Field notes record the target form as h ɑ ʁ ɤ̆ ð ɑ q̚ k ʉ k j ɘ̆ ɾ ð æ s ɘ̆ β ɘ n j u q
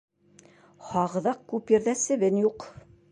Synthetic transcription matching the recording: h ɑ ʁ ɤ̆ ð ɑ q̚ k ʉ p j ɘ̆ ɾ ð æ s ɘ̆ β ɘ n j u q